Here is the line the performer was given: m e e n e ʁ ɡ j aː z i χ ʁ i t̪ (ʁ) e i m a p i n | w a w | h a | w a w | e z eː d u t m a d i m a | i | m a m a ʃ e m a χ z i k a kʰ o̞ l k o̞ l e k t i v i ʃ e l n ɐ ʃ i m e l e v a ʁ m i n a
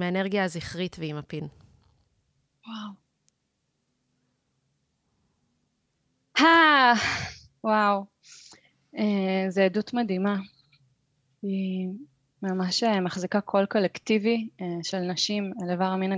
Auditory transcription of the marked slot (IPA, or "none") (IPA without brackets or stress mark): v